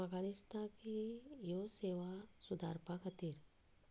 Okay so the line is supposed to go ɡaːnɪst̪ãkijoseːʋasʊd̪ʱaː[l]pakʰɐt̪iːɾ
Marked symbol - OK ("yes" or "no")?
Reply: no